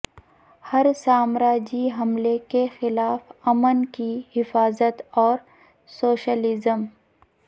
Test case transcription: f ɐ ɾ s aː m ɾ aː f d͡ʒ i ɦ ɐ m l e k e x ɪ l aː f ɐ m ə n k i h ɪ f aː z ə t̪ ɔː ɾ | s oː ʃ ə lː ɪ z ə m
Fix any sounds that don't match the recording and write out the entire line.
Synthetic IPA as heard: h ɐ ɾ s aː m ɾ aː d͡ʒ i ɦ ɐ m l e k e x ɪ l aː f ɐ m ə n k i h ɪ f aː z ə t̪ ɔː ɾ | s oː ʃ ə l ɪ z ə m